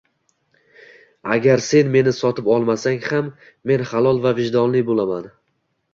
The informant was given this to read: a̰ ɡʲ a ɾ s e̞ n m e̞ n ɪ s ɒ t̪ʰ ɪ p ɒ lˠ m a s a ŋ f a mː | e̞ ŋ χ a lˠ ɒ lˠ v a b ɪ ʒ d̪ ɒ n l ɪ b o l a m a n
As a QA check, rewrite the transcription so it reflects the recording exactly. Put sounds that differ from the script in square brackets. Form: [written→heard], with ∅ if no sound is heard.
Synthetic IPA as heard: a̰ ɡʲ a ɾ s e̞ n m e̞ n ɪ s ɒ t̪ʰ ɪ p ɒ lˠ m a s a ŋ [f→h] a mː | e̞ [ŋ→n] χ a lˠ ɒ lˠ v a [b→v] ɪ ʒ d̪ ɒ n l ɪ b o l a m a n